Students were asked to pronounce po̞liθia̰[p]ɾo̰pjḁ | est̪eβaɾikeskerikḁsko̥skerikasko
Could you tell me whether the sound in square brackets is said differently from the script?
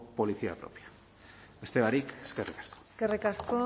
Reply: no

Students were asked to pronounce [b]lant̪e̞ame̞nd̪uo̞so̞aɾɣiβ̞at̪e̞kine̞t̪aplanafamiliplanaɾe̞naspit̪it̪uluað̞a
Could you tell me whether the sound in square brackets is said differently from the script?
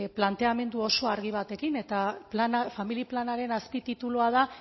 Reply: yes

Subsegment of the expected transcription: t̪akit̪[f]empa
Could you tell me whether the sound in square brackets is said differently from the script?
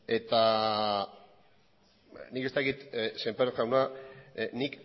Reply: yes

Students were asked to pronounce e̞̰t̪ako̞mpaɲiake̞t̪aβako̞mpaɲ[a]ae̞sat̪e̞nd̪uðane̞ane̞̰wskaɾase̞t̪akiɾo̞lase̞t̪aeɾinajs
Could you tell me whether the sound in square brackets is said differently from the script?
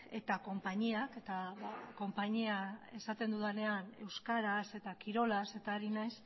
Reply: yes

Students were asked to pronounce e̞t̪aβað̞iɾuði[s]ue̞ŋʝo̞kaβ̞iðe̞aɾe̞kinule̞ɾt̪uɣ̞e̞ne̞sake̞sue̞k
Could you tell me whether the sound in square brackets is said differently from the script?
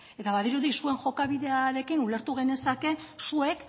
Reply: no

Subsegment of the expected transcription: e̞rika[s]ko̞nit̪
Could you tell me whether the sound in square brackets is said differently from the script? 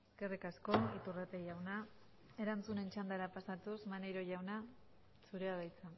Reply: no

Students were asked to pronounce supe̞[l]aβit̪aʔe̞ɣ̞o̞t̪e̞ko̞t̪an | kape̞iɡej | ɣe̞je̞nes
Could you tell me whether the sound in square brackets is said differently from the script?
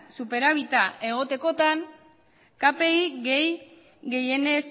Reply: yes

